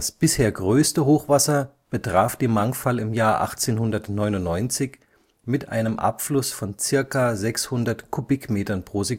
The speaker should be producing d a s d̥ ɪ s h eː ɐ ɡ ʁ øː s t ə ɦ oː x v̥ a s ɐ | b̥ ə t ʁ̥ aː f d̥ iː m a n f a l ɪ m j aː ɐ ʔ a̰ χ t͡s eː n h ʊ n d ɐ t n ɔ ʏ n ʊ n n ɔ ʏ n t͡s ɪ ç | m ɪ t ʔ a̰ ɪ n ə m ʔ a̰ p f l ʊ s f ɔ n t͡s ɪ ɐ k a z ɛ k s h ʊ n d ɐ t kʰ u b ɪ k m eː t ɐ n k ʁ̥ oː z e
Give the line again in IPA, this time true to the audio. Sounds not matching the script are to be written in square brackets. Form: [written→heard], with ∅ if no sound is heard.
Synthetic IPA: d a s [d̥→b̥] ɪ s h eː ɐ ɡ ʁ øː s t ə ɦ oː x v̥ a s ɐ | b̥ ə t ʁ̥ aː f d̥ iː m a [n→ŋ] f a l ɪ m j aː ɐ ʔ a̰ χ t͡s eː n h ʊ n d ɐ t n ɔ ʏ n ʊ n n ɔ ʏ n t͡s ɪ ç | m ɪ t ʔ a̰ ɪ n ə m ʔ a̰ p f l ʊ s f ɔ n t͡s ɪ ɐ k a z ɛ k s h ʊ n d ɐ t kʰ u b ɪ k m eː t ɐ n [k→p] ʁ̥ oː z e